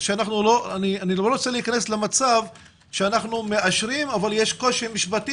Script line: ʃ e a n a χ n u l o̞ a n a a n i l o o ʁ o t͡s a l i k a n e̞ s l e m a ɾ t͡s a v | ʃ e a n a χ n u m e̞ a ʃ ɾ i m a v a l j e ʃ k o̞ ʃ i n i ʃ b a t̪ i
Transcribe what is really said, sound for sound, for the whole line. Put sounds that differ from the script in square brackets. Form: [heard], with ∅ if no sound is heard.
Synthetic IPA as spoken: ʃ e a n a χ n u l o̞ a n [i] a n i l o o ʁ o t͡s [e] l i k a n e̞ s l e m a [∅] t͡s a v | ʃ e a n a χ n u m e̞ a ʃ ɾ i m a v a l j e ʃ k o̞ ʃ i [m] i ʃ b a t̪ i